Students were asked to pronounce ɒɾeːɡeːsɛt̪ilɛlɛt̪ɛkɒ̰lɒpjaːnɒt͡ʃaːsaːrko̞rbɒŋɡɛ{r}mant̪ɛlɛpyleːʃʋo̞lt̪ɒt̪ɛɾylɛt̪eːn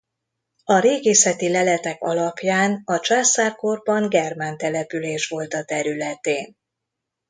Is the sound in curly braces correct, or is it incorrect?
correct